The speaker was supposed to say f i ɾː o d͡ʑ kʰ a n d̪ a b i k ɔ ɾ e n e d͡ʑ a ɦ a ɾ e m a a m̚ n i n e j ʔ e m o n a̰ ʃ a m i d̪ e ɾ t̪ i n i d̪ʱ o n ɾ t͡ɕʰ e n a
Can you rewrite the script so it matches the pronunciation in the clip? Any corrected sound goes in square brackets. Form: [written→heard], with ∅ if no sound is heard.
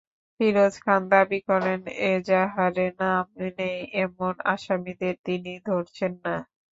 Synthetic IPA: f i [ɾː→ɾ] o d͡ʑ kʰ a n d̪ a b i k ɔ ɾ e n e d͡ʑ a ɦ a ɾ e [m→n] a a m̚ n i n e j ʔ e m o n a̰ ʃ a m i d̪ e ɾ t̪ i n i d̪ʱ o [n→∅] ɾ t͡ɕʰ e [n→nː] a

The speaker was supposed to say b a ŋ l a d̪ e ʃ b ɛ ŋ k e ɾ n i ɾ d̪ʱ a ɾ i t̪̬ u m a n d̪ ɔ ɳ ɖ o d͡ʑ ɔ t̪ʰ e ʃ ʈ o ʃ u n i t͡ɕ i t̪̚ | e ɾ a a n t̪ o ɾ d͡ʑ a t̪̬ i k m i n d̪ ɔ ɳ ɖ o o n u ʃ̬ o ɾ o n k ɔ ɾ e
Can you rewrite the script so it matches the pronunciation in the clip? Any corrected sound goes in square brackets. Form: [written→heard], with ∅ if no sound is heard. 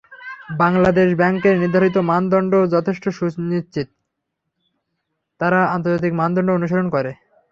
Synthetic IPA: b a ŋ l a d̪ e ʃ b ɛ ŋ k e ɾ n i ɾ d̪ʱ a ɾ i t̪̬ [u→o] m a n d̪ ɔ ɳ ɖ o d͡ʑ ɔ t̪ʰ e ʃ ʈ o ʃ u n i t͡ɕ i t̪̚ | [e→a] ɾ a a n t̪ o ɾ d͡ʑ a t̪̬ i k m [i→a] n d̪ ɔ ɳ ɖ o o n u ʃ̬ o ɾ o n k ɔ ɾ e

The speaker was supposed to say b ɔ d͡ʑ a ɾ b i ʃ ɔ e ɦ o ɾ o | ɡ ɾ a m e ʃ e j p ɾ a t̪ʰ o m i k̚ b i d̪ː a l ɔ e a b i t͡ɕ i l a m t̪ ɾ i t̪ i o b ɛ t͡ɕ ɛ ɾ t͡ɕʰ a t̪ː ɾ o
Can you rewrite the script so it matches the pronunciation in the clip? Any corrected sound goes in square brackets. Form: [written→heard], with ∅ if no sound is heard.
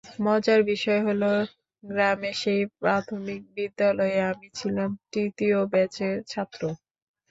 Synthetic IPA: [b→m] ɔ d͡ʑ a ɾ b i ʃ ɔ e ɦ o [ɾ→l] o | ɡ ɾ a m e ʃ e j p ɾ a t̪ʰ o m i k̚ b i d̪ː a l ɔ e a [b→m] i [t͡ɕ→t͡ɕʰ] i l a m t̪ ɾ i t̪ i o b ɛ t͡ɕ [ɛ→e] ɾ t͡ɕʰ a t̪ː ɾ o

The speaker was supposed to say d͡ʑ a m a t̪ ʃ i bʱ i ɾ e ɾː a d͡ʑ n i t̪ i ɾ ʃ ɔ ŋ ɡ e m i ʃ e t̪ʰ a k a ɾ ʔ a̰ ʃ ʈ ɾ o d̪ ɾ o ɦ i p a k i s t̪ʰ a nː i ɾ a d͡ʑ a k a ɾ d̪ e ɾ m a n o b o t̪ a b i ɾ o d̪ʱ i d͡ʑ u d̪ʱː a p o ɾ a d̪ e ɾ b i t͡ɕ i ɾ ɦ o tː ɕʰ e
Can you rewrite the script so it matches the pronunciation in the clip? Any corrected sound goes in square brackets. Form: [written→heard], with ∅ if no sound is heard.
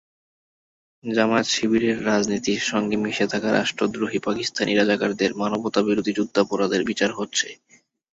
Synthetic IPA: d͡ʑ a m a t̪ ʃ i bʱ i ɾ e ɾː a d͡ʑ n i t̪ i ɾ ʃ ɔ ŋ ɡ e m i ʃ e t̪ʰ a k a ɾ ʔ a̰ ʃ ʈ ɾ o d̪ ɾ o ɦ i p a k i s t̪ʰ a [nː→n] i ɾ a d͡ʑ a k a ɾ d̪ e ɾ m a n o b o t̪ a b i ɾ o d̪ʱ i d͡ʑ u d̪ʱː a p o ɾ a d̪ e ɾ b i t͡ɕ [i→a] ɾ ɦ o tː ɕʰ e

